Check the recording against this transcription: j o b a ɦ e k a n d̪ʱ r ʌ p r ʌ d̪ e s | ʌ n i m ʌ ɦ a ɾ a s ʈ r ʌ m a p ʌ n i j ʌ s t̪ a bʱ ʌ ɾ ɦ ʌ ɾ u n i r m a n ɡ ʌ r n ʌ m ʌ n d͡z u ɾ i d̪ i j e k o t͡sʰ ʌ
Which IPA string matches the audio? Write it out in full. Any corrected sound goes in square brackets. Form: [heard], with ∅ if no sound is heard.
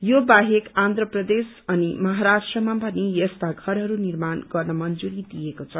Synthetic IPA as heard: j o b a ɦ e k a n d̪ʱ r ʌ p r ʌ d̪ e s | ʌ n i m ʌ ɦ a ɾ a s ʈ r ʌ m a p ʌ n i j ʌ s t̪ a [ɡʱ] ʌ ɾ ɦ ʌ ɾ u n i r m a n ɡ ʌ r n ʌ m ʌ n d͡z u ɾ i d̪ i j e k o t͡sʰ ʌ